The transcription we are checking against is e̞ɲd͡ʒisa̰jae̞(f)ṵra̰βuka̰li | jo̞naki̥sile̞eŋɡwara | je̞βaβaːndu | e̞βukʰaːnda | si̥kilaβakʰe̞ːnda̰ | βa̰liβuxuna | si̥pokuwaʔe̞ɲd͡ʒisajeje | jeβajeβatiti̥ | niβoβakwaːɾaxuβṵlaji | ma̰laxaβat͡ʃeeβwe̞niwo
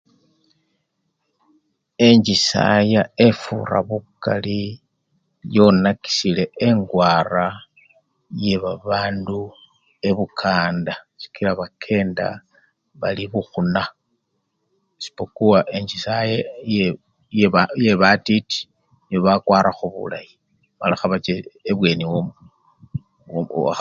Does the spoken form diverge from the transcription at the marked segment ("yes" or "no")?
no